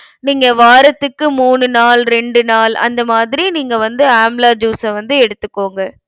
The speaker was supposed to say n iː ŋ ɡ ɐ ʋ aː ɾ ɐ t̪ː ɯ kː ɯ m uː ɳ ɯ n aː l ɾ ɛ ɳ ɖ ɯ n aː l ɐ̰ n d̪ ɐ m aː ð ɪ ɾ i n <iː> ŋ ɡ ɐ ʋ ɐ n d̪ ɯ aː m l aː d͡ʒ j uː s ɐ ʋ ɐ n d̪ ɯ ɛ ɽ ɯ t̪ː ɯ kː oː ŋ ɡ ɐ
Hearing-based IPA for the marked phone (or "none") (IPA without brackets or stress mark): iː